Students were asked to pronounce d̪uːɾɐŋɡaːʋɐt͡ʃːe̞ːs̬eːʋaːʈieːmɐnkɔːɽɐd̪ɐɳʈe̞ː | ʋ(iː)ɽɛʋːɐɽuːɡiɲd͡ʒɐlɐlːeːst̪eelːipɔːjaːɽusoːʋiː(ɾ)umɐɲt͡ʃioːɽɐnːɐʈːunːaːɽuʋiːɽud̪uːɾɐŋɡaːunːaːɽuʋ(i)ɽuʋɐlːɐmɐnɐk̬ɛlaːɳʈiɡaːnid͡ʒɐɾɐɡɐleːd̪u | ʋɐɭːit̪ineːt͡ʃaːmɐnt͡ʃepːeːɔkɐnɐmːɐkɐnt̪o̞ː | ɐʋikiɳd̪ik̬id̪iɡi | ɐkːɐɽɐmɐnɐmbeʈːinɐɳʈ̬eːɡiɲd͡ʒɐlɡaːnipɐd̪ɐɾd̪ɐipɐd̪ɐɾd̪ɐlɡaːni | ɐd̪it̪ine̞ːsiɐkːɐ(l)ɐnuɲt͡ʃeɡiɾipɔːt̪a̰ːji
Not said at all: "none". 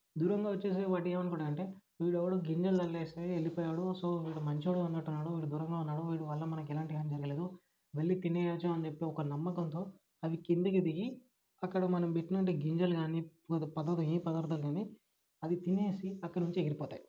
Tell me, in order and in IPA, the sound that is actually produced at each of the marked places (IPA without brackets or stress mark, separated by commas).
iː, ɽ, iː, ɽ